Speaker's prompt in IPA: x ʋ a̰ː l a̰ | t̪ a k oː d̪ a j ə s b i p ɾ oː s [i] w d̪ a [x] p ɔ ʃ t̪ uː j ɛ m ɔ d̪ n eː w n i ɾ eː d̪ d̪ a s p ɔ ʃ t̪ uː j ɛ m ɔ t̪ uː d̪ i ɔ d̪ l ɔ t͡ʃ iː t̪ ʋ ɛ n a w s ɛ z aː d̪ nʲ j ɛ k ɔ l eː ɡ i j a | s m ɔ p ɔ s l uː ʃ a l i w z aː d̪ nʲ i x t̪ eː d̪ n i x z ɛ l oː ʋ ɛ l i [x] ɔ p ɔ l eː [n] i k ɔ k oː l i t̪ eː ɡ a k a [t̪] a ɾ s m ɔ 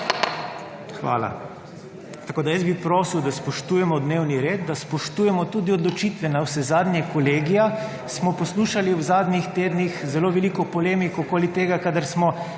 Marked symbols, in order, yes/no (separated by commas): yes, no, no, no, no